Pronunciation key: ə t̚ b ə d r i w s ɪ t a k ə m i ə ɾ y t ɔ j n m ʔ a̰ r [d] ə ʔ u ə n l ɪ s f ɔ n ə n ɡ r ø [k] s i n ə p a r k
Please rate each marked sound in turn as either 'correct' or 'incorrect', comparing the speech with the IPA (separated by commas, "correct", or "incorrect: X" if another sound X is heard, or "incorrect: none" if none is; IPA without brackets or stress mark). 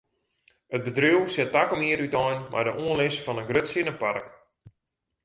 correct, incorrect: t